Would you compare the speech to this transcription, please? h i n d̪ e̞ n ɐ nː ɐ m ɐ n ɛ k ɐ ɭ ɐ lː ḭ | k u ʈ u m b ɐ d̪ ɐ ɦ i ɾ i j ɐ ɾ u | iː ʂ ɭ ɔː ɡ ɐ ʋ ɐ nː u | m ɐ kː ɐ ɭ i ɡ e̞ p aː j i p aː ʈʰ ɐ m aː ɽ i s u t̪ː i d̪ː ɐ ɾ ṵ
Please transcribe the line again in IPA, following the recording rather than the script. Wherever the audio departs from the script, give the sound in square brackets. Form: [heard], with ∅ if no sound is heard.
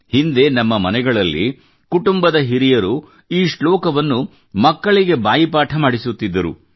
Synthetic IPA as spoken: h i n d̪ e̞ n ɐ [mː] ɐ m ɐ n ɛ [ɡ] ɐ ɭ ɐ lː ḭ | k u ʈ u m b ɐ d̪ ɐ ɦ i ɾ i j ɐ ɾ u | iː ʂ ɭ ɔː [k] ɐ ʋ ɐ nː u | m ɐ kː ɐ ɭ i ɡ e̞ [b] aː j i p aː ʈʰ ɐ m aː ɽ i s u t̪ː i d̪ː ɐ ɾ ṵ